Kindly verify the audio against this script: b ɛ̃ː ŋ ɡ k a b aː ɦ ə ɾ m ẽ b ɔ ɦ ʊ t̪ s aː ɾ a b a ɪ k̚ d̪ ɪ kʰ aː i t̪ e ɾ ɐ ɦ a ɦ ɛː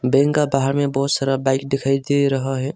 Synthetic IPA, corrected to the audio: b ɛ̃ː ŋ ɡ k a b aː ɦ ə ɾ m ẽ b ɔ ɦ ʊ t̪ s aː ɾ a b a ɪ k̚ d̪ ɪ kʰ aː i d̪ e ɾ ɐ ɦ a ɦ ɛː